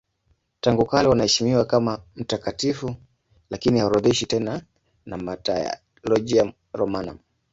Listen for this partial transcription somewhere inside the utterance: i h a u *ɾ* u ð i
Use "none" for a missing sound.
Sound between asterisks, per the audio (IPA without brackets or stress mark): ɾ